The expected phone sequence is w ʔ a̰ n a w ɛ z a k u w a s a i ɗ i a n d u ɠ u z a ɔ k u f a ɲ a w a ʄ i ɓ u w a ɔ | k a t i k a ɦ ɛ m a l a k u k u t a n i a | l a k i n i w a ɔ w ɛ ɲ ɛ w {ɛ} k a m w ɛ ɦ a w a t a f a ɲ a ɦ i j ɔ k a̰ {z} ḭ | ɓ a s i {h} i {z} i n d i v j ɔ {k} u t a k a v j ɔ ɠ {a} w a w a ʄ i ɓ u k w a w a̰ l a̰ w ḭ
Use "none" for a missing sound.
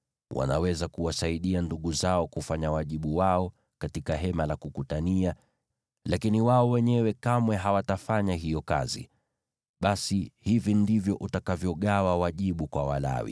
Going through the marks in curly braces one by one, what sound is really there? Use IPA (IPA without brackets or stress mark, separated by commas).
ɛ, z, h, v, ʔ, a